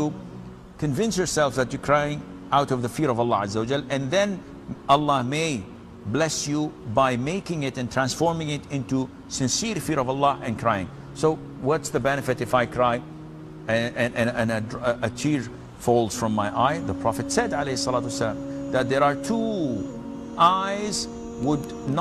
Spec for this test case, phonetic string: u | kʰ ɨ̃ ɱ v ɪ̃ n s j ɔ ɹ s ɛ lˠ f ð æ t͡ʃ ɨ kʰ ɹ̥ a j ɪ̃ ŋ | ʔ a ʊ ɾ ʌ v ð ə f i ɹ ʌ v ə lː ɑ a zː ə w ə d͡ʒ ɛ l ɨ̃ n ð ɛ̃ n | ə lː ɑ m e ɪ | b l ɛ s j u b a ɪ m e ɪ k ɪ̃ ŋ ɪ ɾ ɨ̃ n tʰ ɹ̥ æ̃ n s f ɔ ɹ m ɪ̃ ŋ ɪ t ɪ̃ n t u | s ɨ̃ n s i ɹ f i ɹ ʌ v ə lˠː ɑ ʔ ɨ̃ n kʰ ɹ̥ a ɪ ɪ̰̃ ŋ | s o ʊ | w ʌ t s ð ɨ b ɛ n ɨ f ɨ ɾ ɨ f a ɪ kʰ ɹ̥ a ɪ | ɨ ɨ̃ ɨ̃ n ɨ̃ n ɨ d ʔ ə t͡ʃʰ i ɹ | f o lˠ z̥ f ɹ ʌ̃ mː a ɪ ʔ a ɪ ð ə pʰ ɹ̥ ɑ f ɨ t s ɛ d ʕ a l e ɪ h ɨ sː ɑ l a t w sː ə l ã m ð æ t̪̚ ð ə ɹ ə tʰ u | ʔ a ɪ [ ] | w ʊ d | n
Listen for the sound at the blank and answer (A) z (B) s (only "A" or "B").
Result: A